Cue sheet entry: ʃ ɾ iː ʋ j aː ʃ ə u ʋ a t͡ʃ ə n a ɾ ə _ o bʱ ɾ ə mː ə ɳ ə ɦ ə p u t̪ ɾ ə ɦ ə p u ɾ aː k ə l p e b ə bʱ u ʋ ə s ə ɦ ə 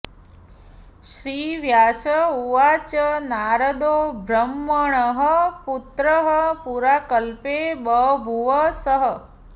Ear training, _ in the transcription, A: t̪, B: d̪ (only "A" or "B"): B